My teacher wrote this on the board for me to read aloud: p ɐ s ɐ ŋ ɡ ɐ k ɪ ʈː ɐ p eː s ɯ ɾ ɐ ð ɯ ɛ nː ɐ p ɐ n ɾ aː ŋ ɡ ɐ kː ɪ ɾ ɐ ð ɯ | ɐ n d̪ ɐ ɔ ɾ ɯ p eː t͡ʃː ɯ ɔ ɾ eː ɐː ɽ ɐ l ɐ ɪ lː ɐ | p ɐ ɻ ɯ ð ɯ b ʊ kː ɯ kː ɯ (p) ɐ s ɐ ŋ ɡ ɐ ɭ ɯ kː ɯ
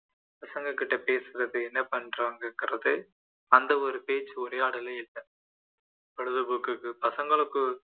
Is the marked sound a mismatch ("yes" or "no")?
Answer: no